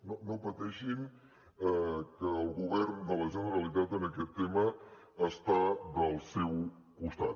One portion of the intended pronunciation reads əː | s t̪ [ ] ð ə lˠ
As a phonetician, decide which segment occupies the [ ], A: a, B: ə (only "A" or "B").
A